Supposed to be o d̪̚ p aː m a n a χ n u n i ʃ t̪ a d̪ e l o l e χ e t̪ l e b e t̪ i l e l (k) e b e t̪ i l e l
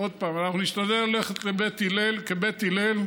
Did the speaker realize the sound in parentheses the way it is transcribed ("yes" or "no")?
yes